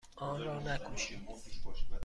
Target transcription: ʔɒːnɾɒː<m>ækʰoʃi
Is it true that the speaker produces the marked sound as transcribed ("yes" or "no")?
no